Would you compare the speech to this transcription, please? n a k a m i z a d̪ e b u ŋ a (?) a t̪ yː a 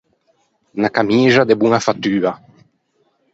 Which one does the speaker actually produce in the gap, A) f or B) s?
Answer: A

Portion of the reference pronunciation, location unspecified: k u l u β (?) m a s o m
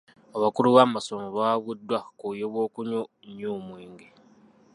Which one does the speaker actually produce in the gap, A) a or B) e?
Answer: A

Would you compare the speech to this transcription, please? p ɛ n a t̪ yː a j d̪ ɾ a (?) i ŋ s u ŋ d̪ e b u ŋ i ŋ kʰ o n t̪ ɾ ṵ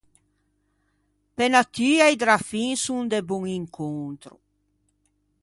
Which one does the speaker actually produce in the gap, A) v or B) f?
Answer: B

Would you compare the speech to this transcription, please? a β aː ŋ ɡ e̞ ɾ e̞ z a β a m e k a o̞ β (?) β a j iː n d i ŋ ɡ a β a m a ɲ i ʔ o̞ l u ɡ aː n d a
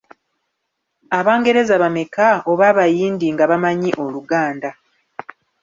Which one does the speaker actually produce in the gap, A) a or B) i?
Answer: A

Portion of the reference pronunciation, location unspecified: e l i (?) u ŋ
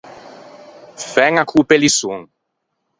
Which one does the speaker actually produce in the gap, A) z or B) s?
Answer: B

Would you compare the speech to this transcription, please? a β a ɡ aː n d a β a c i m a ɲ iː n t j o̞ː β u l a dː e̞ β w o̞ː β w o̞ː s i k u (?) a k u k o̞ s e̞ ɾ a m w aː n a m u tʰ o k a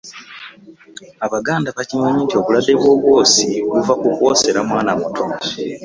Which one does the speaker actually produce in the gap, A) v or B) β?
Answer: A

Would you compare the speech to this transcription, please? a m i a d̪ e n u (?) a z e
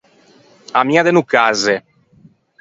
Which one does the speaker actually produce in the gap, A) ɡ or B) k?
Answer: B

